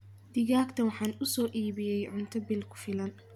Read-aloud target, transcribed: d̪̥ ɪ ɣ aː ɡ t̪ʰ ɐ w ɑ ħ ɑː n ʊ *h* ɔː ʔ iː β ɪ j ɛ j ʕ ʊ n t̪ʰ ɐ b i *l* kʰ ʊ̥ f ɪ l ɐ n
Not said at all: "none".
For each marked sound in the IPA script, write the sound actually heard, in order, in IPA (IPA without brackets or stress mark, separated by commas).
s, l